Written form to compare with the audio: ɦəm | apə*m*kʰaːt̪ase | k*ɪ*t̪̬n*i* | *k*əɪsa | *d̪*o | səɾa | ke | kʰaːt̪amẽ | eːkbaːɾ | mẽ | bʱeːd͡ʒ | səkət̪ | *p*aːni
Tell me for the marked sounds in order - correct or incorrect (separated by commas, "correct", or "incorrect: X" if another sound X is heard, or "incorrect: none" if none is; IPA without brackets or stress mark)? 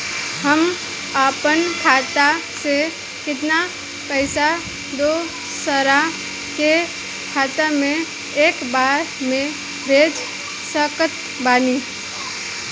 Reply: incorrect: n, correct, incorrect: a, incorrect: p, correct, incorrect: b